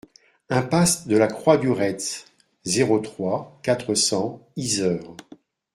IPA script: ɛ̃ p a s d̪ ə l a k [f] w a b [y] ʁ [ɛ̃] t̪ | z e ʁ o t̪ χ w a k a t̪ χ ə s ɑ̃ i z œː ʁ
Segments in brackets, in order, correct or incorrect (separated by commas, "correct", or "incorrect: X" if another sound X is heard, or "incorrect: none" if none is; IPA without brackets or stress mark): incorrect: χ, correct, incorrect: ɛ